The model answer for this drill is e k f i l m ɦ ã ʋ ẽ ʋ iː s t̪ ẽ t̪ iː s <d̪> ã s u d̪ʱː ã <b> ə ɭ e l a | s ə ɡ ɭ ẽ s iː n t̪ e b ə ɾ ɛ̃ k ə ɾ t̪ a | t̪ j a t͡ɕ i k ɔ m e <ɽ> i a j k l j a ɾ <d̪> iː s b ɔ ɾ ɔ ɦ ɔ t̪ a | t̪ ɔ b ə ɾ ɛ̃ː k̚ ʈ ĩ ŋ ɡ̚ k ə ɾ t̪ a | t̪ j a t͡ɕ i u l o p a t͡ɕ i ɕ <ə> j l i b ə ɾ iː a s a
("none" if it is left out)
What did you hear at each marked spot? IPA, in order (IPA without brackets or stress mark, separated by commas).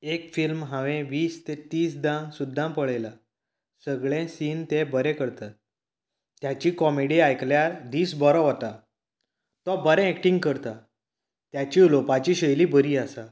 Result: d̪, p, ɽ, d̪, ə